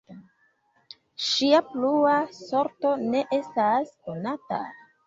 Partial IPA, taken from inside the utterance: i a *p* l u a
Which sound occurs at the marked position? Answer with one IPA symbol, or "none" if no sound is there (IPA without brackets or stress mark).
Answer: p